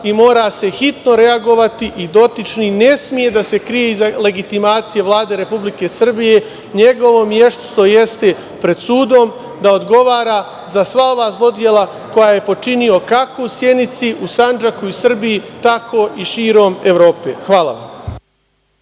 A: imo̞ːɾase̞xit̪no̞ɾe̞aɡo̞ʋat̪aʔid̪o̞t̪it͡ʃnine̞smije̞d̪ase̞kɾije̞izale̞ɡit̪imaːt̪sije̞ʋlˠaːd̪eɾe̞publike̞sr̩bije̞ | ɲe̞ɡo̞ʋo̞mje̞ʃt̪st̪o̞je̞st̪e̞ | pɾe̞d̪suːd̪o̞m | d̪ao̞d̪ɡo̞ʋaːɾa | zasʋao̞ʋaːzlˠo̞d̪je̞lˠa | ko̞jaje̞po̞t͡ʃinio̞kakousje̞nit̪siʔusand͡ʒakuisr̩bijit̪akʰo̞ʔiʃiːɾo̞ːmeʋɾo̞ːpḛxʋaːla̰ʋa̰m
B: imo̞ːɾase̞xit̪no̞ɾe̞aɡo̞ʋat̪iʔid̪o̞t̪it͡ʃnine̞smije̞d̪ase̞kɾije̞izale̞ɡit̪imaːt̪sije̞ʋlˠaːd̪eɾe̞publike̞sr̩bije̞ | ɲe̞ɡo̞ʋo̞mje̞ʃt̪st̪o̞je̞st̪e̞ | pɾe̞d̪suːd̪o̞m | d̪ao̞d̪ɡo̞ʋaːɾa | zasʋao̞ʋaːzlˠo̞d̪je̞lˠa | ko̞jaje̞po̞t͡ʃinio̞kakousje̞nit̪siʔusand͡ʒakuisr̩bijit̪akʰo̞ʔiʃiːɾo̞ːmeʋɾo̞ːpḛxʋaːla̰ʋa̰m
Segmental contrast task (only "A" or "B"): B